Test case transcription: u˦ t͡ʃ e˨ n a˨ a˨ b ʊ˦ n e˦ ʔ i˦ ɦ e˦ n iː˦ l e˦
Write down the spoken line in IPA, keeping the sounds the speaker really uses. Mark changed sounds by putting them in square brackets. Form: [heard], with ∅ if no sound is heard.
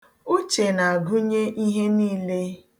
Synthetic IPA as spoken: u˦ t͡ʃ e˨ n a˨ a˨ [ɡ] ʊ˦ [ɲ] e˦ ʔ i˦ ɦ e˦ n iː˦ l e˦